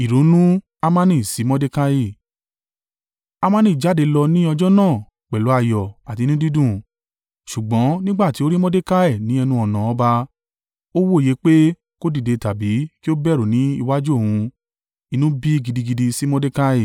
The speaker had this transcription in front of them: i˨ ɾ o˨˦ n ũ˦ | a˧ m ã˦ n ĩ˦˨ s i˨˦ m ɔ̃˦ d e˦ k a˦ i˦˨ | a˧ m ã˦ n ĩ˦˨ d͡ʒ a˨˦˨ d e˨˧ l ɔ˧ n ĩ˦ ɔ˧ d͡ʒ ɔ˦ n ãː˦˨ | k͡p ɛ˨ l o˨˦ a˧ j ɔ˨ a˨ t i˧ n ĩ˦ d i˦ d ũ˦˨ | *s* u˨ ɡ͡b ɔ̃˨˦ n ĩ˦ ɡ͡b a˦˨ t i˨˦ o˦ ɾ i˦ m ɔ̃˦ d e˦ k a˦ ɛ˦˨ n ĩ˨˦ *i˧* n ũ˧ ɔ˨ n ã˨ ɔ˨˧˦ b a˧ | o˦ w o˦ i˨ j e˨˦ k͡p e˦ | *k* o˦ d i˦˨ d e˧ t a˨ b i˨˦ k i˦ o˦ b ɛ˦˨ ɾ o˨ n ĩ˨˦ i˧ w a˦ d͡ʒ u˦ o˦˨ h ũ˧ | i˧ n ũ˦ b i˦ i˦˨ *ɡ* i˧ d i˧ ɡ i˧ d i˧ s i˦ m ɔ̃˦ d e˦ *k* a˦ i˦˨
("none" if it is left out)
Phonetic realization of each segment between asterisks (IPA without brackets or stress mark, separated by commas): ʃ, ɛ˧, k, ɡ, k